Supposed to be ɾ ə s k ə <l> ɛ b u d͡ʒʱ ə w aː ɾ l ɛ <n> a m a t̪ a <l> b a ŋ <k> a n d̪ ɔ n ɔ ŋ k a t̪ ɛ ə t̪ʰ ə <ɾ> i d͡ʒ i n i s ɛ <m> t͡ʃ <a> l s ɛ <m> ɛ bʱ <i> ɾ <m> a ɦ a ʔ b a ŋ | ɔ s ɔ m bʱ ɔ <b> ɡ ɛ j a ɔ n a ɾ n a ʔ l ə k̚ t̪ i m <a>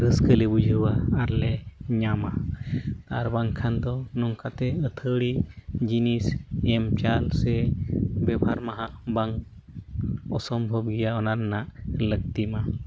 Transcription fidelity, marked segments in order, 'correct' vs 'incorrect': correct, incorrect: ɲ, incorrect: ɾ, incorrect: kʰ, incorrect: ɽ, correct, correct, incorrect: b, incorrect: a, correct, correct, correct

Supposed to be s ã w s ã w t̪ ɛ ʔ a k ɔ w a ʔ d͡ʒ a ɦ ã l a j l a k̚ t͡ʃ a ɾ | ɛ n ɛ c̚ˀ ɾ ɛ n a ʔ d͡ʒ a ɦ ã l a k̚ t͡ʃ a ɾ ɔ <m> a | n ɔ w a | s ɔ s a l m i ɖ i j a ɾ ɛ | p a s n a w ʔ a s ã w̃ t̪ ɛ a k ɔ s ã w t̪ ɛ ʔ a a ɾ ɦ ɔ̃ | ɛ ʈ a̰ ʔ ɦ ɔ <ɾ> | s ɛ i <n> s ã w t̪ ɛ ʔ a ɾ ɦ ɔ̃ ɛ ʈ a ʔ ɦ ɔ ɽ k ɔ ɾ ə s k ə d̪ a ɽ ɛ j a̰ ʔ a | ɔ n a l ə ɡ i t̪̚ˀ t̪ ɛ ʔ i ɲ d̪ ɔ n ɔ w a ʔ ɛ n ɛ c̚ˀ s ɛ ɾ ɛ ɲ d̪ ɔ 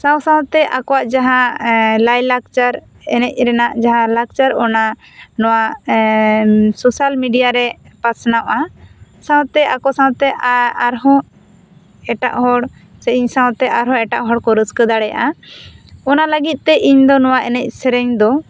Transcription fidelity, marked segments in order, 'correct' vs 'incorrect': incorrect: n, incorrect: ɽ, incorrect: ɲ

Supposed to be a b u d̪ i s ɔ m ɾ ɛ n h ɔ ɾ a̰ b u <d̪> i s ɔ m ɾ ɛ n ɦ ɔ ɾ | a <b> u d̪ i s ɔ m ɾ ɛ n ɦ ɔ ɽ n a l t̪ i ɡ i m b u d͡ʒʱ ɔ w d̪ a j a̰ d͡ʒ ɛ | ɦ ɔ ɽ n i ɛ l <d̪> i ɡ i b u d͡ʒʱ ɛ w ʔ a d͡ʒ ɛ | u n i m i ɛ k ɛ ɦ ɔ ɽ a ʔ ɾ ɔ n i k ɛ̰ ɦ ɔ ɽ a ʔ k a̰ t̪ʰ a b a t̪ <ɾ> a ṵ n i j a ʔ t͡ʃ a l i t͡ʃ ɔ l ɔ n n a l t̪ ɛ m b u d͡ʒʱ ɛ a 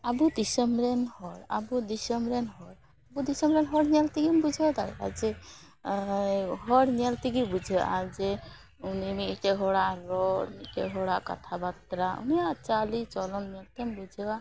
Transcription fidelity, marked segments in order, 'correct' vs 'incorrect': correct, correct, incorrect: t̪, correct

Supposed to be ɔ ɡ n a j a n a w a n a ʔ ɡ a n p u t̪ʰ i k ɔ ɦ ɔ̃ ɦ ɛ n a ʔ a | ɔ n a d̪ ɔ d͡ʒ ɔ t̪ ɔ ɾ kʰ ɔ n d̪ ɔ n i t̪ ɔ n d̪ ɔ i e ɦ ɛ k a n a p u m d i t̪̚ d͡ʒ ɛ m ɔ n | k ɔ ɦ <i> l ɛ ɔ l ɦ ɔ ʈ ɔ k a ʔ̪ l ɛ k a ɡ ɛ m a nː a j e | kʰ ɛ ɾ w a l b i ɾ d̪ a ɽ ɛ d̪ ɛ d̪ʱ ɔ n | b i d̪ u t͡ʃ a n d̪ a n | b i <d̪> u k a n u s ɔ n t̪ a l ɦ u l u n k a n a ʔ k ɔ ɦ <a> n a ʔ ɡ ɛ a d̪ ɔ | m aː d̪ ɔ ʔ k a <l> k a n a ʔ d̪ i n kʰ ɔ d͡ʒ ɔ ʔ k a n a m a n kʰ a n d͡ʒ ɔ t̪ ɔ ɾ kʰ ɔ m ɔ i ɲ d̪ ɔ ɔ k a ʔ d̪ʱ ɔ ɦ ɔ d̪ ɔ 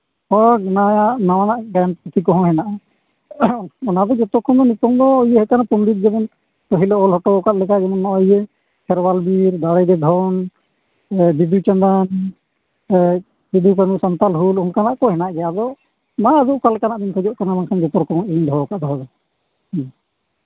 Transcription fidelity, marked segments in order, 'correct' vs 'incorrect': correct, correct, incorrect: ɛ, correct

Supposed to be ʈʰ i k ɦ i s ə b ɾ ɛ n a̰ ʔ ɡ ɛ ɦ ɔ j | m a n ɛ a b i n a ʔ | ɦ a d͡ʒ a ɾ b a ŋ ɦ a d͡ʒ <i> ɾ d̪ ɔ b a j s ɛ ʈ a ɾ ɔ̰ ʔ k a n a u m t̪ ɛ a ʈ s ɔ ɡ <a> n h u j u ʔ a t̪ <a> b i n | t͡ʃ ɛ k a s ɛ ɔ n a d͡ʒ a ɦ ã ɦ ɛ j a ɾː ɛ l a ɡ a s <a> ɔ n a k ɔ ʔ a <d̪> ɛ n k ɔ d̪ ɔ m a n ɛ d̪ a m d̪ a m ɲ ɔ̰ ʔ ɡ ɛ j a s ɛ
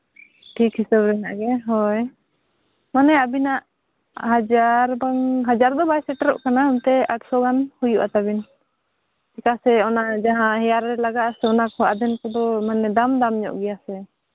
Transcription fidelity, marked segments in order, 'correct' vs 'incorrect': incorrect: a, correct, correct, incorrect: ɛ, correct

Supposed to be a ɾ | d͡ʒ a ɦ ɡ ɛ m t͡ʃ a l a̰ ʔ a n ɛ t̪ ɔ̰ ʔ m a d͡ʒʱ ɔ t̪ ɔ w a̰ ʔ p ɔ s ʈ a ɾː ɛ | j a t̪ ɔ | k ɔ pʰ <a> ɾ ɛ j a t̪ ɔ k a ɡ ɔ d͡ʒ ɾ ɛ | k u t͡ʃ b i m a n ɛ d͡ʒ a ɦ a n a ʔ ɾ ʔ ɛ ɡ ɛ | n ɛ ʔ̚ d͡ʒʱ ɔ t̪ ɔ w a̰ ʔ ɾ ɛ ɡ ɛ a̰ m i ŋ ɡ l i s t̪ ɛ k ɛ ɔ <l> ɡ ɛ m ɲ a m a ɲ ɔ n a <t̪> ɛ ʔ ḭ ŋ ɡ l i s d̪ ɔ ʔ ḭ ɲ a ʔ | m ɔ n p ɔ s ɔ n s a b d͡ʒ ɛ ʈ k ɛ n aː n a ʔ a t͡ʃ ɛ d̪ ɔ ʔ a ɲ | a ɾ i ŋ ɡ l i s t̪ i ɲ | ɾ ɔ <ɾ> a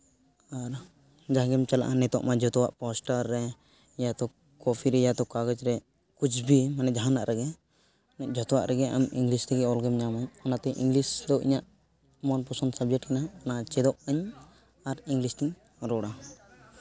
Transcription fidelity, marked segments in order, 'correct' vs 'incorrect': incorrect: i, correct, correct, incorrect: ɽ

